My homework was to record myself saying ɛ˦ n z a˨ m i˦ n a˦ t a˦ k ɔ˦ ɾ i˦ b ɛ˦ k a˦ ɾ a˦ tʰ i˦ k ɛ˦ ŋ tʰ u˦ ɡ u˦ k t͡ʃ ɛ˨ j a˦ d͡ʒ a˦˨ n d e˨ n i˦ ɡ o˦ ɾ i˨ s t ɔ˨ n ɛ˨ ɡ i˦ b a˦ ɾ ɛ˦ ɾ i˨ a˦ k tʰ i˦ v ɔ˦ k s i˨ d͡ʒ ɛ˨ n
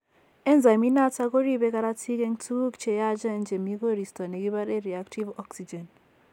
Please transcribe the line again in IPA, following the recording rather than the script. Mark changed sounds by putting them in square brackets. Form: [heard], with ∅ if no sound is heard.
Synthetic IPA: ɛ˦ n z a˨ m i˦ n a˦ t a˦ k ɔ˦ ɾ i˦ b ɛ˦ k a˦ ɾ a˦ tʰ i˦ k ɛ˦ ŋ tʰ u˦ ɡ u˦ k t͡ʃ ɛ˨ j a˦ d͡ʒ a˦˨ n [d͡ʒ] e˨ [m] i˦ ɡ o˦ ɾ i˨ s t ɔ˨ n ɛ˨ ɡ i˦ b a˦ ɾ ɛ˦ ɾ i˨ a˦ k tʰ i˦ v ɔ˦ k s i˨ d͡ʒ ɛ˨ n

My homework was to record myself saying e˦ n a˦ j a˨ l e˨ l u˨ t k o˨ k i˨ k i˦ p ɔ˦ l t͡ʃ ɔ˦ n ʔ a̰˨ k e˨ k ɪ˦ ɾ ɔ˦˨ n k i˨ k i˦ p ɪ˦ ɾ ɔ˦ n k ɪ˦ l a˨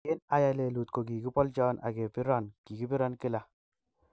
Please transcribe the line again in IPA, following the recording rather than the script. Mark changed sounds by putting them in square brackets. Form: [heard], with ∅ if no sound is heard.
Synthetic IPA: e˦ n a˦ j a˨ l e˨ l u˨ t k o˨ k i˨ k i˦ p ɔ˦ l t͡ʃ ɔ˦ n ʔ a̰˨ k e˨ [p] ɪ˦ ɾ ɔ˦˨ n k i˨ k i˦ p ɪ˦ ɾ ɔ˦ n k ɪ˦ l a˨

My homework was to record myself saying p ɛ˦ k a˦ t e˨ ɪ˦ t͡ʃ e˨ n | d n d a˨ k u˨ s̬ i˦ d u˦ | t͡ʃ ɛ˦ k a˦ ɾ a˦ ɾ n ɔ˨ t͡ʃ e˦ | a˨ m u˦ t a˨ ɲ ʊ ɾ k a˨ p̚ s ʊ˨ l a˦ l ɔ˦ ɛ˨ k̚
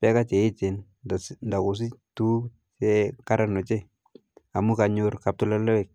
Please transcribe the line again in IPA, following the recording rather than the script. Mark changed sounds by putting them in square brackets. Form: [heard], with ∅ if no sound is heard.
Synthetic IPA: p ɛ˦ k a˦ [t͡ʃ] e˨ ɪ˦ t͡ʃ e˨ n | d n d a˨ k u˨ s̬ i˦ [t] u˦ | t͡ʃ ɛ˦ k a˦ ɾ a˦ [∅] n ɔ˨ t͡ʃ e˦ | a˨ m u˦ [k] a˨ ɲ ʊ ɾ k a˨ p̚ [t] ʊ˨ l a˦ l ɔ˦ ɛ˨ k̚

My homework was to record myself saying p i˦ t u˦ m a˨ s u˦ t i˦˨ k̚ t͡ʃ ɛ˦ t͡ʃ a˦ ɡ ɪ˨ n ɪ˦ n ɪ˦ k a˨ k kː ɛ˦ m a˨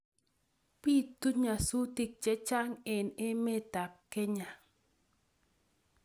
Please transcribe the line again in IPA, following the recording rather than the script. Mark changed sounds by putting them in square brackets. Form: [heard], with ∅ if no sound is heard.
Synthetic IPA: p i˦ t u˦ [ɲ] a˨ s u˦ t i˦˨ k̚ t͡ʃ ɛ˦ t͡ʃ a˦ [ŋ] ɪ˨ n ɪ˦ [m] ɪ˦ [t] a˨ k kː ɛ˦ [ɲ] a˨

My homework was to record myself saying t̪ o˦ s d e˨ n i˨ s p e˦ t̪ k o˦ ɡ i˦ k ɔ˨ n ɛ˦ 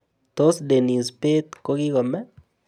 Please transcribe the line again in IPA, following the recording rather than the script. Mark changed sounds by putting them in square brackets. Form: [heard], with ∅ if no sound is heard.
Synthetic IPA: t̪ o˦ s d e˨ n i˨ s p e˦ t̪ k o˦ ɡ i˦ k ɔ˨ [m] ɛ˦

